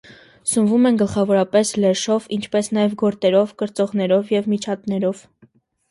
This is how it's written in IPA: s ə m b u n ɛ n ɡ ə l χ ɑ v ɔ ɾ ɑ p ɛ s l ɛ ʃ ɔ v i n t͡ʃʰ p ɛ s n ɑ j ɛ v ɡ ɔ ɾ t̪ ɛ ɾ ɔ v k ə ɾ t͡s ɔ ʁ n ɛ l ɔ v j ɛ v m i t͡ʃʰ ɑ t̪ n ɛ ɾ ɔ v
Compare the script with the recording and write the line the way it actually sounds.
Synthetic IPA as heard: s ə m v u m ɛ n ɡ ə l χ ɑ v ɔ ɾ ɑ p ɛ s l ɛ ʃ ɔ v i n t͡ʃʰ p ɛ s n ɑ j ɛ v ɡ ɔ ɾ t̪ ɛ ɾ ɔ v k ə ɾ t͡s ɔ ʁ n ɛ ɾ ɔ v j ɛ v m i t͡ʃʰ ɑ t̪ n ɛ ɾ ɔ v

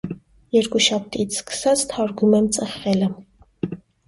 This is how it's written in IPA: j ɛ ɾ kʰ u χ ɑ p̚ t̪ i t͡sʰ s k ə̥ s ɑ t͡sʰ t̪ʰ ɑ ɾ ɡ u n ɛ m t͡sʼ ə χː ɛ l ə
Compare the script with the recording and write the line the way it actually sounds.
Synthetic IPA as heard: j ɛ ɾ k u ʃ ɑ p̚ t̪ i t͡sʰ s k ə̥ s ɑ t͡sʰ t̪ʰ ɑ ɾ ɡ u m ɛ m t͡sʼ ə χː ɛ l ə

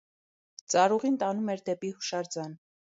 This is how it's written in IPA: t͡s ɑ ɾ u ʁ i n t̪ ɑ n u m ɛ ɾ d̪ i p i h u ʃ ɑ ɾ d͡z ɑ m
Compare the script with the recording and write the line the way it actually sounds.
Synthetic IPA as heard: t͡s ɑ ɾ u ʁ i n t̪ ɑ n u m ɛ ɾ d̪ ɛ p i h u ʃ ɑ ɾ d͡z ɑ n

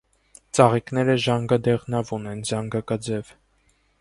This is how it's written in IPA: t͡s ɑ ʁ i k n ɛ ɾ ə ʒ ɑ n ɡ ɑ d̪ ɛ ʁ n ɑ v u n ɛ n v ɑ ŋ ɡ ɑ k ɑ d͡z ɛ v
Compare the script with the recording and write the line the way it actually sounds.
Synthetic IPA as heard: t͡s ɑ ʁ i k n ɛ ɾ ə ʒ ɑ ŋ ɡ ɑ d̪ ɛ ʁ n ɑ v u n ɛ n z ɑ ŋ ɡ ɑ k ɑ d͡z ɛ v

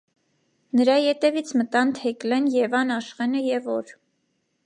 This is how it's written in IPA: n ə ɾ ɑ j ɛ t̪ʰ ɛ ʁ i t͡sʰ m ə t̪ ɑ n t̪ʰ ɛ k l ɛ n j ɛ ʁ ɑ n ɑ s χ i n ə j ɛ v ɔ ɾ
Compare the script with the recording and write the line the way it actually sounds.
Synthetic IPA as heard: n ə ɾ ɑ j ɛ t̪ ɛ v i t͡sʰ m ə t̪ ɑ n t̪ʰ ɛ k l ɛ n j ɛ v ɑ n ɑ ʃ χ ɛ n ə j ɛ v ɔ ɾ

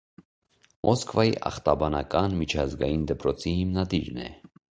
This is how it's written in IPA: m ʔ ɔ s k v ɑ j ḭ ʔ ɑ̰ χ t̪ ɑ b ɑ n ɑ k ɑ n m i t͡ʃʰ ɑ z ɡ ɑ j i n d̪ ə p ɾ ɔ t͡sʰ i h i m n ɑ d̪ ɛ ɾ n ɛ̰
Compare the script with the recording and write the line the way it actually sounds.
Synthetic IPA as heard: m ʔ ɔ s k v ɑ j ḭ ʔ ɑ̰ χ t̪ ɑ b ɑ n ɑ k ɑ n m i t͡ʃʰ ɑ z ɡ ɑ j i n d̪ ə p ɾ ɔ t͡sʰ i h i m n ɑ d̪ i ɾ n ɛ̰

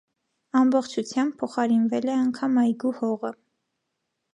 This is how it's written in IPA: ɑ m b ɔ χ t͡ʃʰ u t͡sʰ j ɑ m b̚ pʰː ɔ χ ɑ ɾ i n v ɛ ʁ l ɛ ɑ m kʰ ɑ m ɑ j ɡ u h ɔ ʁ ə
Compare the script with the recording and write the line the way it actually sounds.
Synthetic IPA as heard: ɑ m b ɔ χ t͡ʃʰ u t͡sʰ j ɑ m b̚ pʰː ɔ χ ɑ ɾ i n v ɛ l ɛ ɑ ŋ kʰ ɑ m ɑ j ɡ u h ɔ ʁ ə

